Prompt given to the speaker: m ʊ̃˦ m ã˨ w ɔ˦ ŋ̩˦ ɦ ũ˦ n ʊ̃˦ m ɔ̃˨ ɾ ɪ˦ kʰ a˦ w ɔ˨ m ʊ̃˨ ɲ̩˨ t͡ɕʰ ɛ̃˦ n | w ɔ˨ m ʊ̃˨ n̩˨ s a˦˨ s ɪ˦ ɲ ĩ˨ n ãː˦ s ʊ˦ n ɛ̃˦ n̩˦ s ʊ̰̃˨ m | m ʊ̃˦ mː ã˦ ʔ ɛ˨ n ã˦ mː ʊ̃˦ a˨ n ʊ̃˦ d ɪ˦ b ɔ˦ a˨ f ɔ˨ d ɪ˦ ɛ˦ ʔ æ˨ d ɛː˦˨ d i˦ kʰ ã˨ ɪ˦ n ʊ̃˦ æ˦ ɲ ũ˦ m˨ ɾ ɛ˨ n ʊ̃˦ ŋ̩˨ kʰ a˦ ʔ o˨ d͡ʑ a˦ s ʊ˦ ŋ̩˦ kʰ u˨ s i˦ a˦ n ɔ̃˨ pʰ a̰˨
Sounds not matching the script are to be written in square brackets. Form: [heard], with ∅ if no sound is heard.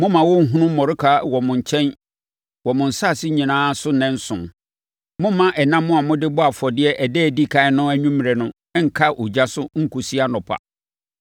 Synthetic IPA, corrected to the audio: m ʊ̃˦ m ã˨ w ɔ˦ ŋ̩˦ ɦ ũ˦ n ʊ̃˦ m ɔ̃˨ ɾ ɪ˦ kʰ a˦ w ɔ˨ m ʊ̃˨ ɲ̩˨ t͡ɕʰ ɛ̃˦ n | w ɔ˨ m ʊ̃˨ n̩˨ s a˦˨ s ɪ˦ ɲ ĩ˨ n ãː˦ s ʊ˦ n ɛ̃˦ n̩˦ s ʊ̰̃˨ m | m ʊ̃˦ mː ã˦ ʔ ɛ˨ n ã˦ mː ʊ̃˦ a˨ [m] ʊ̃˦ d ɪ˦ b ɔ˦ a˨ f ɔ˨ d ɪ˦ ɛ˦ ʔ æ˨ d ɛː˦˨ d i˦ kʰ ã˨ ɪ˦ n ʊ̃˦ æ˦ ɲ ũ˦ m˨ ɾ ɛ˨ n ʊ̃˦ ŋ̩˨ kʰ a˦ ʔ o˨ d͡ʑ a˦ s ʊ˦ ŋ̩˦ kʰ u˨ s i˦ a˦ n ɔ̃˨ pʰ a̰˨